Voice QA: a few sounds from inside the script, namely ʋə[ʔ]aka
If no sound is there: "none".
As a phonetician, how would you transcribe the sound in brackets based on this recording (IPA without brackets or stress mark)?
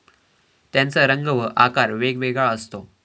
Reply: ʔ